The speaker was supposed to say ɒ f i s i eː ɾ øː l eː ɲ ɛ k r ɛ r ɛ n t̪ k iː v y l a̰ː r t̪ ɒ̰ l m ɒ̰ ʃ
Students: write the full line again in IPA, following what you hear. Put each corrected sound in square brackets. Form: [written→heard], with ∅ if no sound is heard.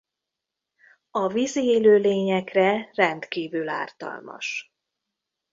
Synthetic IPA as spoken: ɒ [f→v] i [s→z] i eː [ɾ→l] øː l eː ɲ ɛ k r ɛ r ɛ n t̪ k iː v y l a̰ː r t̪ ɒ̰ l m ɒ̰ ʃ